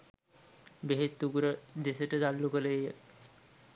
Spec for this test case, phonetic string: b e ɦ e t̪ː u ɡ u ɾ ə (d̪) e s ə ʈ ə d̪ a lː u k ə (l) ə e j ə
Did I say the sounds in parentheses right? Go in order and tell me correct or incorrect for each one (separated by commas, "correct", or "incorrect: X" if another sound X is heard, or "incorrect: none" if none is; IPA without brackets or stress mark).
correct, correct